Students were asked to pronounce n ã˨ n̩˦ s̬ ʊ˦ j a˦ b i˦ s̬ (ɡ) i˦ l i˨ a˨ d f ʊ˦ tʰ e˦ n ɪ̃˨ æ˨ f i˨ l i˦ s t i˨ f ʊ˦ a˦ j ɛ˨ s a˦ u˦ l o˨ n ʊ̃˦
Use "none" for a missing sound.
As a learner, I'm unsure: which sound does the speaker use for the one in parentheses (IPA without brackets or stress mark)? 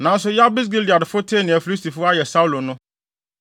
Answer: ɡ